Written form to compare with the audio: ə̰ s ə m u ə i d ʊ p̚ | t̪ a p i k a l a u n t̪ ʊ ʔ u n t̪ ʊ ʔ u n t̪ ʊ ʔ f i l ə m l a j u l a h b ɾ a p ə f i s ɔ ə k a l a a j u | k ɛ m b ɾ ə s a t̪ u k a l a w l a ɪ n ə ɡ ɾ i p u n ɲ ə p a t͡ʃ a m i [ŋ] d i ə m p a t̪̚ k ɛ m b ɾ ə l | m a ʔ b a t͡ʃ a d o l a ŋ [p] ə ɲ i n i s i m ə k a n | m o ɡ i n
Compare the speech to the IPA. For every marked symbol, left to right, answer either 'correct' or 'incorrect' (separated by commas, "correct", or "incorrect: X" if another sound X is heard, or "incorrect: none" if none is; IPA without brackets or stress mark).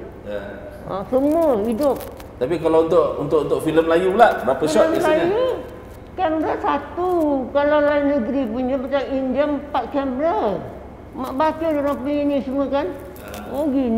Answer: incorrect: n, correct